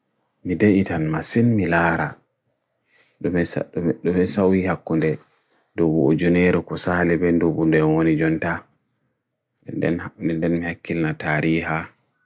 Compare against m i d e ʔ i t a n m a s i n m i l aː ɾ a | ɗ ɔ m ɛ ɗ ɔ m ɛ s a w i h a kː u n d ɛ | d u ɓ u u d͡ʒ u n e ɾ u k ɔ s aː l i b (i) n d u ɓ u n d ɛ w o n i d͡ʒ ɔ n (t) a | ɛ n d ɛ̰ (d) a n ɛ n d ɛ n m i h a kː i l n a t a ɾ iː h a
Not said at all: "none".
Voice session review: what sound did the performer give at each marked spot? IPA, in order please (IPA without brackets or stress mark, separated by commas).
ɛ, t, n